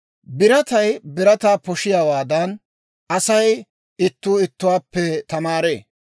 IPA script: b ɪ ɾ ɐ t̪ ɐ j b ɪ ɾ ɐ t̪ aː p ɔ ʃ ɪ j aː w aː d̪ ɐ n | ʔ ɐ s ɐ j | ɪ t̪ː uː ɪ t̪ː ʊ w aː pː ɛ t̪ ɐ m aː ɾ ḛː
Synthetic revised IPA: b ɪ ɾ ɐ t̪ ɐ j b ɪ ɾ ɐ t̪ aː p ɔ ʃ ɪ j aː w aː d̪ ɐ n | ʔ ɐ s ɐ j | ɪ t̪ː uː ɪ t̪ː ʊ w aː pː ɛ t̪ ɐ m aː ɾ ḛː